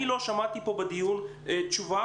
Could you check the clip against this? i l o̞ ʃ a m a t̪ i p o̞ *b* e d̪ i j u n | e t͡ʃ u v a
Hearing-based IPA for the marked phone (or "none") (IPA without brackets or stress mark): b